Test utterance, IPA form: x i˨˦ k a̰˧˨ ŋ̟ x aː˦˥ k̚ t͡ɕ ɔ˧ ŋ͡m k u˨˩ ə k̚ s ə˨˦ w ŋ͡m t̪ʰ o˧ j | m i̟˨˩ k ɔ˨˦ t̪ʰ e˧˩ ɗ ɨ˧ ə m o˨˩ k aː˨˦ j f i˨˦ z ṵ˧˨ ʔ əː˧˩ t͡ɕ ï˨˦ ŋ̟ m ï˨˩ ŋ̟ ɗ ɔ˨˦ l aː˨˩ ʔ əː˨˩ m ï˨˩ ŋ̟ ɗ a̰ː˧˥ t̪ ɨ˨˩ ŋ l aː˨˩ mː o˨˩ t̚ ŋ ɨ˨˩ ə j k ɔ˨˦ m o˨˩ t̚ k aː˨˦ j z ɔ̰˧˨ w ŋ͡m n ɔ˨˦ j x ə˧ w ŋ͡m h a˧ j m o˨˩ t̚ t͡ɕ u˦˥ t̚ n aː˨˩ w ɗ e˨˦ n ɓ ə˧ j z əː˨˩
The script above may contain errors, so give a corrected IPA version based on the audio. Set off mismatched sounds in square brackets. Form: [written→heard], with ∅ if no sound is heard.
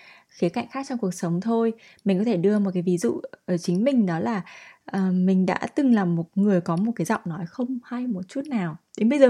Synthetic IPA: x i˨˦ k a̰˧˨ ŋ̟ x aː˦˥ k̚ t͡ɕ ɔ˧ ŋ͡m k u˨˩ ə k̚ s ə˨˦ w ŋ͡m t̪ʰ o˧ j | m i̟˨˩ k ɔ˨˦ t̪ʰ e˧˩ ɗ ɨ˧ ə m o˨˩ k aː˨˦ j [f→v] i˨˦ z ṵ˧˨ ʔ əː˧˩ t͡ɕ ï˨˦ ŋ̟ m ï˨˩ ŋ̟ ɗ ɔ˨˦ l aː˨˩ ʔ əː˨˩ m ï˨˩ ŋ̟ ɗ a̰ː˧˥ t̪ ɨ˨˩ ŋ l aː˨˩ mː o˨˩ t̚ ŋ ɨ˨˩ ə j k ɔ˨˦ m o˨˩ t̚ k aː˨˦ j z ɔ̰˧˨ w ŋ͡m n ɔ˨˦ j x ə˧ w ŋ͡m h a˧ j m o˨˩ t̚ t͡ɕ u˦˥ t̚ n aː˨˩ w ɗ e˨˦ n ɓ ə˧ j z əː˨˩